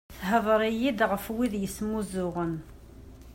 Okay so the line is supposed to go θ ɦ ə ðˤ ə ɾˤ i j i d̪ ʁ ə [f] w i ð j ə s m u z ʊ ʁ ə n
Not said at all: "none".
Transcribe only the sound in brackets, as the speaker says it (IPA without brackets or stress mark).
f